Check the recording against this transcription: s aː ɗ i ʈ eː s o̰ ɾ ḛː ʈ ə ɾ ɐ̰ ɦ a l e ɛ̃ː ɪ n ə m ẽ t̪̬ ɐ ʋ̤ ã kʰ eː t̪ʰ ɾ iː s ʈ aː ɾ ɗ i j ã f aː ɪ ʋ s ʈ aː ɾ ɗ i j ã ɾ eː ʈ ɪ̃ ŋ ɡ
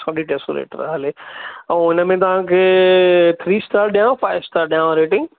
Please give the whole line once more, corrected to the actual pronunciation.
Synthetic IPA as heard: s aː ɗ i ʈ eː s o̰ ɾ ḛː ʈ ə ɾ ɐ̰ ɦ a l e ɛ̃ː ɪ n ə m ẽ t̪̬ ɐ ʋ̤ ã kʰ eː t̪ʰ ɾ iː s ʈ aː ɾ ɗ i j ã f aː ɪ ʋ s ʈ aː ɾ ɗ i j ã ɾ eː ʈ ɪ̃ ŋ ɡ